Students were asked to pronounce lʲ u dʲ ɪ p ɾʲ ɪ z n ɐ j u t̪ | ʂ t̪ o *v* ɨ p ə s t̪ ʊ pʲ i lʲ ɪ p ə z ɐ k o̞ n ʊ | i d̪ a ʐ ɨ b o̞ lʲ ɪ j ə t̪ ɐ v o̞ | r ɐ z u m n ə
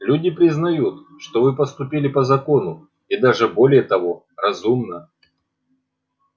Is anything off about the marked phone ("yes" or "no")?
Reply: no